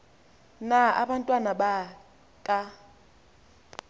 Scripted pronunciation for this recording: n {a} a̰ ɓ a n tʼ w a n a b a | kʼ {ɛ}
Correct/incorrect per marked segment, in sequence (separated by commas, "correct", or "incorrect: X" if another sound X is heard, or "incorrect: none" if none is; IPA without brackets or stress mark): correct, incorrect: a